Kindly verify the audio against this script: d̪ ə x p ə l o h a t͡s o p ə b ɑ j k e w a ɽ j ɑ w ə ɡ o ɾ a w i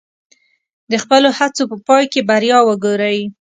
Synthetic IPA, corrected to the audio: d̪ ə x p ə l o h a t͡s o p ə p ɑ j k e b a ɾ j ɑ w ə ɡ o ɾ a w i

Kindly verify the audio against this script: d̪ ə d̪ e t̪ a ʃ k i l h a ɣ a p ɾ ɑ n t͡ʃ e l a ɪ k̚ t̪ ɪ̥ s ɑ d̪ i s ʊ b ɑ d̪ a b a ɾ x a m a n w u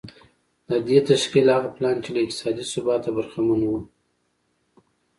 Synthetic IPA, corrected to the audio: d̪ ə d̪ e t̪ a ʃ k i l h a ɣ a p l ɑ n t͡ʃ e l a ɪ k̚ t̪ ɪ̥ s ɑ d̪ i s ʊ b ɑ t̪ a b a ɾ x a m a n w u

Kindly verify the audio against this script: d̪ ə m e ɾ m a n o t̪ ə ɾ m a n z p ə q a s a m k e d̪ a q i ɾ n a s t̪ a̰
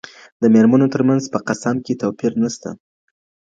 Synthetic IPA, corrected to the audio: d̪ ə m e ɾ m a n o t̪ ə ɾ m a n z p ə q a s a m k e t̪ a p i ɾ n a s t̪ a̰

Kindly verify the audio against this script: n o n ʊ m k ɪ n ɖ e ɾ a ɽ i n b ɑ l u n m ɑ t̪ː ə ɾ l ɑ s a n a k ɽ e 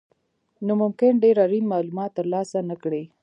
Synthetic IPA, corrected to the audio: n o m ʊ m k ɪ n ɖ e ɾ a ɾ i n m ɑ l u m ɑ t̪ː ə ɾ l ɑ s a n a k ɽ e

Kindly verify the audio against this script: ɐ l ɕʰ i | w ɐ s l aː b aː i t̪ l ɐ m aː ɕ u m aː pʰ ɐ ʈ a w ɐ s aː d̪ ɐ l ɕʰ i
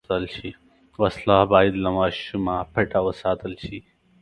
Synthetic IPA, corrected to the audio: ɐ l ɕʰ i | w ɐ s l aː b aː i d̪ l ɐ m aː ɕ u m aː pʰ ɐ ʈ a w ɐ s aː t̪ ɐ l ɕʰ i

